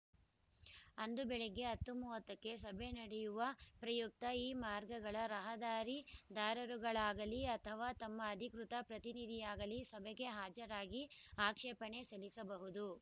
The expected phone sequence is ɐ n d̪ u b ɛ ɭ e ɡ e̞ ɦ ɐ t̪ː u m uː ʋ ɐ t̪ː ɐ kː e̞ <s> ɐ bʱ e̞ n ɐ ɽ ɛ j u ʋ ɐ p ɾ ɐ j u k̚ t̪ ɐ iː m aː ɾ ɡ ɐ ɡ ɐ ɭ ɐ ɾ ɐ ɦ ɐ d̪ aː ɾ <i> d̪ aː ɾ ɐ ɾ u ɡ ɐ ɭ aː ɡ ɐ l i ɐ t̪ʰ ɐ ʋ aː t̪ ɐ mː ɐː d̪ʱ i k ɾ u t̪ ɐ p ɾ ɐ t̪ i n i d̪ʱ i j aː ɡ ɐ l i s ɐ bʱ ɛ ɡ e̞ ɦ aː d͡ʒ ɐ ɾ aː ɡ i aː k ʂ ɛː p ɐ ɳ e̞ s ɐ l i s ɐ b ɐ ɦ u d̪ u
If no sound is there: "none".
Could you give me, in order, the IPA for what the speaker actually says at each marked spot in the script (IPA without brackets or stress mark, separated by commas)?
s, i